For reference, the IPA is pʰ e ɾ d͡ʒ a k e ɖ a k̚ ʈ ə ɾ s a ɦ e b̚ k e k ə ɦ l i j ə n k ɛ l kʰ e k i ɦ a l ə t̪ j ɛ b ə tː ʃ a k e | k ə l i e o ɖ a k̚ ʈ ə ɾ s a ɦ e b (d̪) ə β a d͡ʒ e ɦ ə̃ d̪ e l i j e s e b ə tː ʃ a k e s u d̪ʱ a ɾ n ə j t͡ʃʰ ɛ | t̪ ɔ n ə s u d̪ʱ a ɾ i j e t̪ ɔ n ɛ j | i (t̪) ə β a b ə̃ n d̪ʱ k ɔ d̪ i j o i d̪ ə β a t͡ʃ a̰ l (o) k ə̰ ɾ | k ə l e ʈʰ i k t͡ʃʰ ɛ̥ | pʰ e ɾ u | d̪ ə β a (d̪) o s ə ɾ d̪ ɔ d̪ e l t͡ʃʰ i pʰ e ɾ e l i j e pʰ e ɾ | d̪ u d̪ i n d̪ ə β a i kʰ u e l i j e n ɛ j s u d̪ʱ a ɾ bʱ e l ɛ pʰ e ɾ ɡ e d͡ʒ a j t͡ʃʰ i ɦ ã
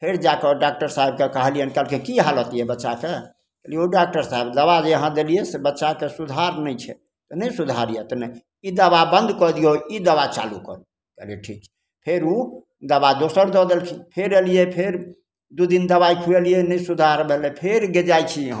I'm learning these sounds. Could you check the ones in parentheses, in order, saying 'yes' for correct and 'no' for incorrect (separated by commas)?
yes, no, no, yes